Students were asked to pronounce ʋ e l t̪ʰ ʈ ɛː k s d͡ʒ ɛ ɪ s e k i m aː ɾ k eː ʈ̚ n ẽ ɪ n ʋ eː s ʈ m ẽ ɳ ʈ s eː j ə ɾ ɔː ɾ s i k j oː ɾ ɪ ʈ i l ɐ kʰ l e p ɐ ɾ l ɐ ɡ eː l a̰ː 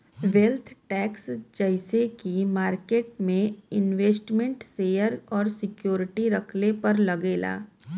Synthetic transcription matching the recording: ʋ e l t̪ʰ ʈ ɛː k s d͡ʒ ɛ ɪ s e k i m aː ɾ k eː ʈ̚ m ẽ ɪ n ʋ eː s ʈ m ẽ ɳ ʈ s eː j ə ɾ ɔː ɾ s ɪ k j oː ɾ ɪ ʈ i ɾ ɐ kʰ l e p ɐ ɾ l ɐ ɡ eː l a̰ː